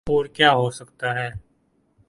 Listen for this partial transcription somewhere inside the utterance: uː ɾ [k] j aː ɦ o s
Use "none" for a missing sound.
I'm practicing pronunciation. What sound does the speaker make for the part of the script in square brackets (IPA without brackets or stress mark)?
k